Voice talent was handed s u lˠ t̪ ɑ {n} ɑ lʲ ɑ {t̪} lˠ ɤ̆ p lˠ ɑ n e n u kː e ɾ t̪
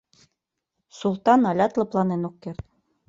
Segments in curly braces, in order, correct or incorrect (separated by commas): correct, correct